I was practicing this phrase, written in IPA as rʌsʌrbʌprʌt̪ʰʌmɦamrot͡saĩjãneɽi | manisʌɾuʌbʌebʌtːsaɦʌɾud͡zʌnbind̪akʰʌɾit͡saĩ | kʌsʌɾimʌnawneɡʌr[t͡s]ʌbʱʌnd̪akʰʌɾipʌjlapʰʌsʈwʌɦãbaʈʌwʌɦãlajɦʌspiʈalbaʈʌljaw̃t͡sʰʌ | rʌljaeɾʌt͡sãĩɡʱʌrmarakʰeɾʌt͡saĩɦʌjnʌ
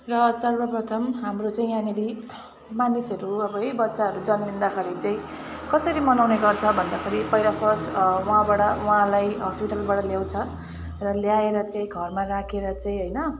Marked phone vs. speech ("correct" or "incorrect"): incorrect